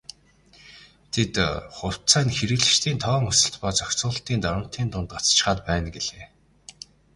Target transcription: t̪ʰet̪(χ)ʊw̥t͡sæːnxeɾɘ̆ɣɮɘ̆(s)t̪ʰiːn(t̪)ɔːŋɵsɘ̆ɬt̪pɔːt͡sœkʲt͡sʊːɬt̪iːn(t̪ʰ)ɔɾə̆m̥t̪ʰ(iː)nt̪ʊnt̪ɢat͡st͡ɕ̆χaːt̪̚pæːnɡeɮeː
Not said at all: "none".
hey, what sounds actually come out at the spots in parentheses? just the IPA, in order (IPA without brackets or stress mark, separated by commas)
χ, ʃ, t̪ʰ, t̪, iː